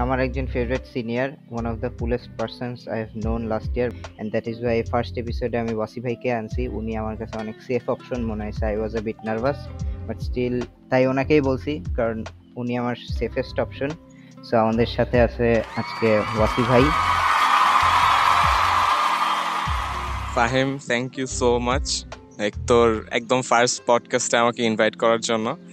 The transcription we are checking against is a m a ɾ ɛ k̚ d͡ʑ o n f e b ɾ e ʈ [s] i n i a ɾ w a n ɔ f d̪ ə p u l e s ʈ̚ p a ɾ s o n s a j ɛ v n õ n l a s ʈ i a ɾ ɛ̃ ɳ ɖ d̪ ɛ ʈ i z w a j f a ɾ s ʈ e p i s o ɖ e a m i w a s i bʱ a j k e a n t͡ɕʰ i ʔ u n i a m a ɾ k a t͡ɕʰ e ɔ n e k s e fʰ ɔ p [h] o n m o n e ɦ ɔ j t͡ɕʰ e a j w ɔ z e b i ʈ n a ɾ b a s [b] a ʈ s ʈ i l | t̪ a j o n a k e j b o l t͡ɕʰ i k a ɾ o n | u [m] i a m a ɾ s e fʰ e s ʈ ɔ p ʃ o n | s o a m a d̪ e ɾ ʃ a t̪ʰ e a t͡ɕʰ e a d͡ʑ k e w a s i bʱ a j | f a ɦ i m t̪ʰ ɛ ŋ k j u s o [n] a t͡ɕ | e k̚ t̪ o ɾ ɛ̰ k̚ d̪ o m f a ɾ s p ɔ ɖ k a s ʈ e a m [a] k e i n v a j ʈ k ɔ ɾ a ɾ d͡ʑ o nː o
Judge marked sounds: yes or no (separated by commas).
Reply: yes, no, yes, no, no, yes